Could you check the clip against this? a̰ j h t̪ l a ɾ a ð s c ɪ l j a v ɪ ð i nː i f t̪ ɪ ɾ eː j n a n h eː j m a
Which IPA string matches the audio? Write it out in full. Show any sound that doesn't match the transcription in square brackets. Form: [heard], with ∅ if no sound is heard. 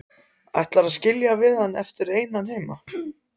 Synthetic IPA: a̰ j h t̪ l a ɾ a ð s c ɪ l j a v ɪ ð [a] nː [ɛ] f t̪ ɪ ɾ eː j n a n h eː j m a

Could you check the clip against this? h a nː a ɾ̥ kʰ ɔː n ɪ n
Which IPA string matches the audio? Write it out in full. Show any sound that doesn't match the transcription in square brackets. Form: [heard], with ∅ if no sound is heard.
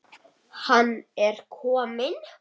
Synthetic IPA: h a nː [ɛ] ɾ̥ kʰ ɔː [m] ɪ n

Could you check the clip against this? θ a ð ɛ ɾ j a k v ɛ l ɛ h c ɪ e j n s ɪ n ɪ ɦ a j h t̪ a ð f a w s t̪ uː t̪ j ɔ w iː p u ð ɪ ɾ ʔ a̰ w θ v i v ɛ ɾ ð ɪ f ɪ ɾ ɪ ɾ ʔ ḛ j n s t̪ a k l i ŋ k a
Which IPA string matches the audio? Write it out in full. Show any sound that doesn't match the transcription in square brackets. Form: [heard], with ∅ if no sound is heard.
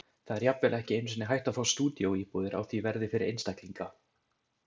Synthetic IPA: θ a ð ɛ ɾ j a [p] v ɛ l ɛ h c ɪ e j n s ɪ n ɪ ɦ a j h t̪ a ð f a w s t̪ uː t̪ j [o] w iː p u ð ɪ ɾ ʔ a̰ w θ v i v ɛ ɾ ð ɪ f ɪ ɾ ɪ ɾ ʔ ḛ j n s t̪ a k l i ŋ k a

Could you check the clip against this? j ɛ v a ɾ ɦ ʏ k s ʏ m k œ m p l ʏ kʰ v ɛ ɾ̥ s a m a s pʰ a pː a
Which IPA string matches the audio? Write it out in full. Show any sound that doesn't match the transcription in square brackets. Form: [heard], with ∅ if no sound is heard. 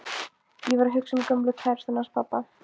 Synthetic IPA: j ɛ v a ɾ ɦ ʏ k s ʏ m k œ m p l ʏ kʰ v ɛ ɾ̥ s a [n] a s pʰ a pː a

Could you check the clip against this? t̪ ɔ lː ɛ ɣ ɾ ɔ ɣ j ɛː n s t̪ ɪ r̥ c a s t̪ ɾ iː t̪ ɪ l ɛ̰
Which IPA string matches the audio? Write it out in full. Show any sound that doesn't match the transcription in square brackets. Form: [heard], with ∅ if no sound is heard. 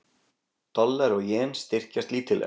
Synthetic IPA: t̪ ɔ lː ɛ [∅] ɾ ɔ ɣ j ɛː n s t̪ ɪ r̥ c a s t̪ [l] iː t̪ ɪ l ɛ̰

